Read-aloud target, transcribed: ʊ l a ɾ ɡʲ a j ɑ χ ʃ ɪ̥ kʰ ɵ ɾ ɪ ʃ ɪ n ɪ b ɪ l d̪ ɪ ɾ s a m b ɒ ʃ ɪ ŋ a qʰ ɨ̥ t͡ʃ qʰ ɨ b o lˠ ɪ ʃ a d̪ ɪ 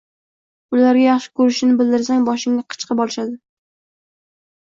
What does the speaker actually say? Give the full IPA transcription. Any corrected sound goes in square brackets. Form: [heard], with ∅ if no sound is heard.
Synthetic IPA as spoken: ʊ l a ɾ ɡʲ a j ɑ χ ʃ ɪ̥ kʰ ɵ ɾ ɪ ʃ ɪ n ɪ b ɪ l d̪ ɪ ɾ s a [ŋ] b ɒ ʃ ɪ ŋ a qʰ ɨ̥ t͡ʃ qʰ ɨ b [ɒ] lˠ ɪ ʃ a d̪ ɪ